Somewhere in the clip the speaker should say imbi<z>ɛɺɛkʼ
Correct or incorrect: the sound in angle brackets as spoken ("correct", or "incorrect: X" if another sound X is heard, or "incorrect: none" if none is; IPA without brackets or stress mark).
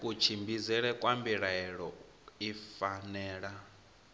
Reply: correct